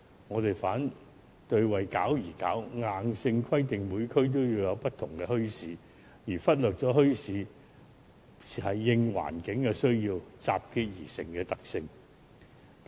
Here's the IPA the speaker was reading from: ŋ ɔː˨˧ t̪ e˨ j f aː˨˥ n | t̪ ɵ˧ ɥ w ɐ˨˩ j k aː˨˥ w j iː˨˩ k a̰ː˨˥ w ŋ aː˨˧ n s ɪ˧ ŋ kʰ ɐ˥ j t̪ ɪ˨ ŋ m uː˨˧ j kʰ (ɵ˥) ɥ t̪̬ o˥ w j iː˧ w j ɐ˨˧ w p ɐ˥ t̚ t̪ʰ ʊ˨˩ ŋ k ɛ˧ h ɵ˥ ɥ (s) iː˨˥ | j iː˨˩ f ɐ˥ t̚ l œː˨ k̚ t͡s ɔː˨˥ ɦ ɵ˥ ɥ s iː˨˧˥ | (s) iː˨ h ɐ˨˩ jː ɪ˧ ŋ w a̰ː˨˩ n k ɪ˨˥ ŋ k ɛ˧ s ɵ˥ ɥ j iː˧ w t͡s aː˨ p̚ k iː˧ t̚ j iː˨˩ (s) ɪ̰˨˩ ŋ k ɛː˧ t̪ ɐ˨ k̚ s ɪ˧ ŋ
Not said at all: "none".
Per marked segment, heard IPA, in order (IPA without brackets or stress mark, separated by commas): ɵ˥, s, s, s